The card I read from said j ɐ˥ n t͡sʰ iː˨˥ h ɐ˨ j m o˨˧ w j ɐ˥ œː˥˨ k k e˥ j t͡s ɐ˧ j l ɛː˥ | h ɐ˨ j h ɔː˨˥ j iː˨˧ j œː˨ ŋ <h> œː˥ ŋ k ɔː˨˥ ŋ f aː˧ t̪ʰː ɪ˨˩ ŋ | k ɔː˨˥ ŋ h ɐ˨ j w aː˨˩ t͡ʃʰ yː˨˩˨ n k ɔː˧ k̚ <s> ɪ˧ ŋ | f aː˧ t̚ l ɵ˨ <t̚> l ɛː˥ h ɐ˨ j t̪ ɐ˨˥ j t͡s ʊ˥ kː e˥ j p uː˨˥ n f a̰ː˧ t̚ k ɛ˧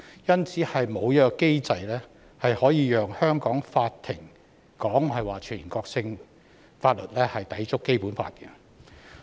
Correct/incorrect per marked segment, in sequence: correct, correct, correct

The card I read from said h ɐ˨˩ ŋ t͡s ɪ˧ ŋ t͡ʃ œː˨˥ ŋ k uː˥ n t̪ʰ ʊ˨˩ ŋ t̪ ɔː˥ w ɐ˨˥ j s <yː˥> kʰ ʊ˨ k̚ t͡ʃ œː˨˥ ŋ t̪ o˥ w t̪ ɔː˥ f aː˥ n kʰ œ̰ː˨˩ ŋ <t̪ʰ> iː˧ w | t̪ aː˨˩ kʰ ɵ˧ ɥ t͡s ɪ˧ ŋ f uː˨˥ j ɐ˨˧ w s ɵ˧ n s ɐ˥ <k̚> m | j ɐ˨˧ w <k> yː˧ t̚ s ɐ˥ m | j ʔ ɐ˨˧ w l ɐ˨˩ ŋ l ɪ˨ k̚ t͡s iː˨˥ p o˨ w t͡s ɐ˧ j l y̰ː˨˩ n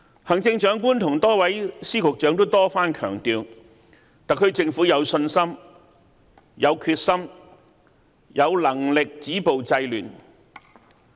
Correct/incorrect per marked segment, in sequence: incorrect: iː˥, incorrect: t̪, incorrect: none, incorrect: kʰ

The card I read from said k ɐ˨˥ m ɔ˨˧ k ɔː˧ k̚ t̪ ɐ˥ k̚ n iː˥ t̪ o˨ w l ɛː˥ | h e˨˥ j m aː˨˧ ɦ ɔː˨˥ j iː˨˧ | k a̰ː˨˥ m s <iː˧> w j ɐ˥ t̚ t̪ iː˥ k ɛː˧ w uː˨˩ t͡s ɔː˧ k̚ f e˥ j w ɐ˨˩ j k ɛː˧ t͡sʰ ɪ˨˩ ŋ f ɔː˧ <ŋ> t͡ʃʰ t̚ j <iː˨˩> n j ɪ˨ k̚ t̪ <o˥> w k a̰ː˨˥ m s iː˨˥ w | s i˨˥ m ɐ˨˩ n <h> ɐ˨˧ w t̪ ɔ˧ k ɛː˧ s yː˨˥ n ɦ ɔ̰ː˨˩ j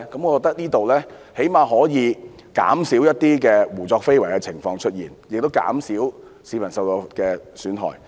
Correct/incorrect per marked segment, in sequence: incorrect: iː˨˥, correct, correct, correct, incorrect: s

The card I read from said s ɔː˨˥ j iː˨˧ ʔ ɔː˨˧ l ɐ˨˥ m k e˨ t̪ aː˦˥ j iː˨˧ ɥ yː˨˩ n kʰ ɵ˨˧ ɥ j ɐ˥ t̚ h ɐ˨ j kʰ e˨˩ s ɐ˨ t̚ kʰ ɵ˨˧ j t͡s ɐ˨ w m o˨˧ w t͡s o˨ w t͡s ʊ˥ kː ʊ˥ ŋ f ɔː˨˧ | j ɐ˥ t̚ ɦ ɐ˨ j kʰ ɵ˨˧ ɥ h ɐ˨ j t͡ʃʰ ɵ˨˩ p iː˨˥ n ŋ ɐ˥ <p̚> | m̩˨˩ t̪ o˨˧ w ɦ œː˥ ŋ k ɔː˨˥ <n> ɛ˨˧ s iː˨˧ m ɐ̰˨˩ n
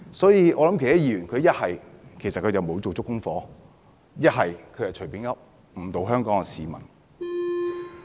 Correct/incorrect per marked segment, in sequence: correct, incorrect: ŋ

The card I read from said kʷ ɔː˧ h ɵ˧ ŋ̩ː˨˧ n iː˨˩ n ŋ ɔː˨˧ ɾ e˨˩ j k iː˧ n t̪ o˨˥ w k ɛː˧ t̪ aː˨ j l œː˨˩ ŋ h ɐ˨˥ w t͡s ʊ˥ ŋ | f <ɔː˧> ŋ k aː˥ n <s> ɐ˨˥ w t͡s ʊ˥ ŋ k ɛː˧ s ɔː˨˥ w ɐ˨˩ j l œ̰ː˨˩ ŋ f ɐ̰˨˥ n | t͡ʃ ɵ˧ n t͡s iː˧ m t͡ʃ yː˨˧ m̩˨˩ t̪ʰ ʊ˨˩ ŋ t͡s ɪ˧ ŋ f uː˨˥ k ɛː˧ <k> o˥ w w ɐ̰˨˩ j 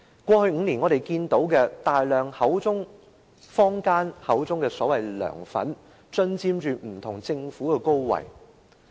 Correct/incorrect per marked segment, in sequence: incorrect: ɔː˥, incorrect: h, correct

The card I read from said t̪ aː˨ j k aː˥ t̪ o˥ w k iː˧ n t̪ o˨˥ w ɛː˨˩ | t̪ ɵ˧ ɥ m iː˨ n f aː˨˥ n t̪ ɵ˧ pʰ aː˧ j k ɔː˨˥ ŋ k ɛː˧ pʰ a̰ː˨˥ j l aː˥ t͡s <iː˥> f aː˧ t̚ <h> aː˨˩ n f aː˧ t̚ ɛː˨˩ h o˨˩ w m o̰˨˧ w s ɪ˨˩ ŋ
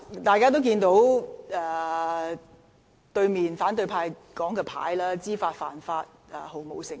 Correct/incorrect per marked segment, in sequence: correct, incorrect: f

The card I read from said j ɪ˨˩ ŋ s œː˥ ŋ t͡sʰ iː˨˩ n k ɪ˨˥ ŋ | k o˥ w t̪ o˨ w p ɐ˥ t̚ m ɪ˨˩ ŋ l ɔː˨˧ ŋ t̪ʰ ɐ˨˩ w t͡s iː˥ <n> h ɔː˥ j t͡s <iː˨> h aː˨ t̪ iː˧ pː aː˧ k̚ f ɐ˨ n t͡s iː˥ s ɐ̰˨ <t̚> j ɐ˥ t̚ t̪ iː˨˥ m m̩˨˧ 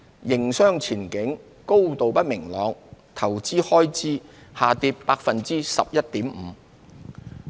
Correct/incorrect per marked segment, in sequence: incorrect: none, incorrect: iː˥, incorrect: p̚

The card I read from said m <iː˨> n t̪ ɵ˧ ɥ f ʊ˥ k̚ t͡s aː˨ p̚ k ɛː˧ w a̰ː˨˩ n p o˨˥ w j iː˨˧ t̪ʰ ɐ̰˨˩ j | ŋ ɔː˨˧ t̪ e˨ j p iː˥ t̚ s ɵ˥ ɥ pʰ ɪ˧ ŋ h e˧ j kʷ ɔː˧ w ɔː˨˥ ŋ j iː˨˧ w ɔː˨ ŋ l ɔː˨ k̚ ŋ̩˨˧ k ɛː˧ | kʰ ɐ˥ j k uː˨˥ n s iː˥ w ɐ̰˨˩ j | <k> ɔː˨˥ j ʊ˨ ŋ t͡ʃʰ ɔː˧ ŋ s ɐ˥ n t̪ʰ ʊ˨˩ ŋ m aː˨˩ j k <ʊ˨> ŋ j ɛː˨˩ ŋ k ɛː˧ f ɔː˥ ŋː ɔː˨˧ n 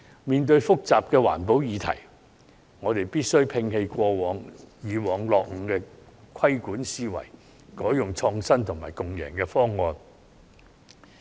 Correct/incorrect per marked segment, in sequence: correct, correct, correct

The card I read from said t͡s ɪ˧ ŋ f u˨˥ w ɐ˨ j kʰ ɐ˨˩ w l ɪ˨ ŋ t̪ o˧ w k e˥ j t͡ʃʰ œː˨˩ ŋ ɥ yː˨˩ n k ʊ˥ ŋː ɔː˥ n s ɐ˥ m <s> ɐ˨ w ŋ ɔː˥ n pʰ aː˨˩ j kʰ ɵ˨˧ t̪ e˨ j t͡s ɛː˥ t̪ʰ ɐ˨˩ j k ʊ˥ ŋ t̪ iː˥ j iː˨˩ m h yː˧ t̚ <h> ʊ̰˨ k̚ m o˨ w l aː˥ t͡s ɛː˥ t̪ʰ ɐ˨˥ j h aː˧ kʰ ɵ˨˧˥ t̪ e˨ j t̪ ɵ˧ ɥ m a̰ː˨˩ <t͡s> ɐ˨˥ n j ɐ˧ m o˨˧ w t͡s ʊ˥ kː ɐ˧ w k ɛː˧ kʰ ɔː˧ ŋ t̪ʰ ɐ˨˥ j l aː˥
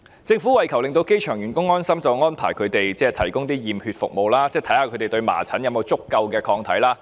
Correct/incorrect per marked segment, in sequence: incorrect: t͡s, incorrect: f, incorrect: t͡sʰ

